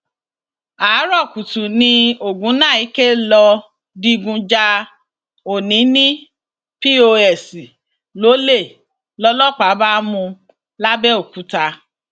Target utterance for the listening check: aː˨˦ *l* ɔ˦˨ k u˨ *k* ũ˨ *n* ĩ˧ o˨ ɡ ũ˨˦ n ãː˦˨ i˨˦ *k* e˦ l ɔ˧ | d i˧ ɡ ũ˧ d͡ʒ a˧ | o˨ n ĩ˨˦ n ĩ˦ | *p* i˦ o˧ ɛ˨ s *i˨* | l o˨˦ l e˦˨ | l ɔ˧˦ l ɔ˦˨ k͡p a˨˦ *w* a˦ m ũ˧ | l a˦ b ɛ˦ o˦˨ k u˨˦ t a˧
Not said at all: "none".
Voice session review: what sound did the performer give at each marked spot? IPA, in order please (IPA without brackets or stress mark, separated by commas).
ɾ, t, n, k, p, i˨, b